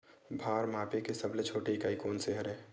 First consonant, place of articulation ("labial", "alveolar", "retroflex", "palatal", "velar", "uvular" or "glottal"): labial